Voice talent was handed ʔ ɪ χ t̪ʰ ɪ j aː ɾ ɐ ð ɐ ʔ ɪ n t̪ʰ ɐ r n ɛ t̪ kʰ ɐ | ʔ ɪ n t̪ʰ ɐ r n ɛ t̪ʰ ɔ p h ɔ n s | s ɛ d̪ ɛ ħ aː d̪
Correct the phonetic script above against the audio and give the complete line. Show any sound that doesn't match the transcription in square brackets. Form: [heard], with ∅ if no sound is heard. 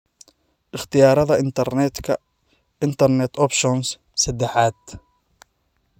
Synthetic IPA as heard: ʔ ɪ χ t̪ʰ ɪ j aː ɾ ɐ ð ɐ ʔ ɪ n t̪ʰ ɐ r n ɛ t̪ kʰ ɐ | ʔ ɪ n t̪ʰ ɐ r n ɛ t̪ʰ ɔ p [ʃ] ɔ n s | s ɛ d̪ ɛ ħ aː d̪